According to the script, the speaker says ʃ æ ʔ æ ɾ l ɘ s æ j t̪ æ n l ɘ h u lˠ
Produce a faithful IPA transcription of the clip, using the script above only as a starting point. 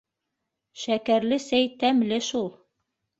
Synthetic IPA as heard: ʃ æ k æ ɾ l ɘ s æ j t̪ æ m l ɘ ʃ u lˠ